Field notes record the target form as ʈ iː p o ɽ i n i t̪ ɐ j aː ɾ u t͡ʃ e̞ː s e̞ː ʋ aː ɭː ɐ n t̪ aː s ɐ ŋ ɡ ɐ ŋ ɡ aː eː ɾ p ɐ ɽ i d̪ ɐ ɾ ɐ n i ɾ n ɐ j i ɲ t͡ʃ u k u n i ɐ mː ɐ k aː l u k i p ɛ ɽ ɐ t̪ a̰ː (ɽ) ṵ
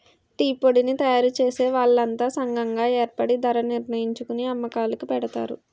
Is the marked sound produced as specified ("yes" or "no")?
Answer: no